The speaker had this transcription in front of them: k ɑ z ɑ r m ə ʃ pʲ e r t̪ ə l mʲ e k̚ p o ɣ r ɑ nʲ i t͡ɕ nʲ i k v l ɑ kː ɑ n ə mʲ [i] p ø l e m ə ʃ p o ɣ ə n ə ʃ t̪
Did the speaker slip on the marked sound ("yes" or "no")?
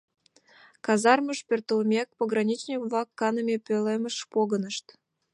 yes